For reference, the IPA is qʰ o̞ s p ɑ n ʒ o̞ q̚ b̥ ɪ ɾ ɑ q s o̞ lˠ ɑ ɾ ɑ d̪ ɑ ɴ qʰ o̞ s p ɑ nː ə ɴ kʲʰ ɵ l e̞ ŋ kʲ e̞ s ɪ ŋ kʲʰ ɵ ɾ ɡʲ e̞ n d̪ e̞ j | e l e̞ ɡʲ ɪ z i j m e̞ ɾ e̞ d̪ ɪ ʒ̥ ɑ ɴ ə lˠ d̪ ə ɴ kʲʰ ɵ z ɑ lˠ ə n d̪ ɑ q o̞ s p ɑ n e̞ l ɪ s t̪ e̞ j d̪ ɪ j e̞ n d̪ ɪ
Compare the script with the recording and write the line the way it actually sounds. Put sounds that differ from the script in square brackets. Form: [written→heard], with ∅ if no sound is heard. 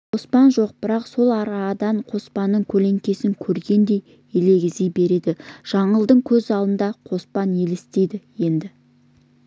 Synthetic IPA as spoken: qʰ o̞ s p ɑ n ʒ o̞ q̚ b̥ ɪ ɾ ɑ q s o̞ lˠ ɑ ɾ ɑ d̪ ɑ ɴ qʰ o̞ s p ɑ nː ə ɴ kʲʰ ɵ l e̞ ŋ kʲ e̞ s ɪ ŋ kʲʰ ɵ ɾ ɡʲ e̞ n d̪ e̞ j | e l e̞ ɡʲ ɪ z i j [m→b] e̞ ɾ e̞ d̪ ɪ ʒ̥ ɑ ɴ ə lˠ d̪ ə ɴ kʲʰ ɵ z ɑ lˠ ə n d̪ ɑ [q→qʰ] o̞ s p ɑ n e̞ l ɪ s t̪ e̞ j d̪ ɪ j e̞ n d̪ ɪ